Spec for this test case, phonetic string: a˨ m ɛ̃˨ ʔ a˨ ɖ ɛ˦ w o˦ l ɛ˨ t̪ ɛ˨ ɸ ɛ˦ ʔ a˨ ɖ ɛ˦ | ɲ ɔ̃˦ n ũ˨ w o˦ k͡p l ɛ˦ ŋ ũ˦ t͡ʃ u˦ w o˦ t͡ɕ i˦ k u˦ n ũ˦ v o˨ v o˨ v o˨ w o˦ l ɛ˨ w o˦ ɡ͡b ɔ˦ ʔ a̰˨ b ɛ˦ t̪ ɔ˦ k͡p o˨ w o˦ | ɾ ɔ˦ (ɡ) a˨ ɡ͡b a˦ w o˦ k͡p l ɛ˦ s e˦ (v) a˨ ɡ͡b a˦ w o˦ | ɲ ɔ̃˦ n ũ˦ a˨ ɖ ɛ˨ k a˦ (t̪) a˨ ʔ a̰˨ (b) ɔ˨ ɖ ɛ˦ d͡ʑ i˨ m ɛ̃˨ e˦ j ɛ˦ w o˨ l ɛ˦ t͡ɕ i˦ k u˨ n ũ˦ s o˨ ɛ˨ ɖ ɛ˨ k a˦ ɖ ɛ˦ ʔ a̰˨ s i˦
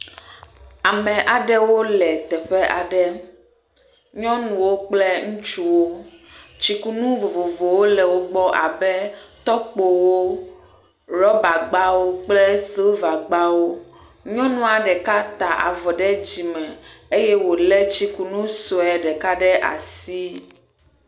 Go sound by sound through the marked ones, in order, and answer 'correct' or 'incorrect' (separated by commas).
incorrect, correct, correct, incorrect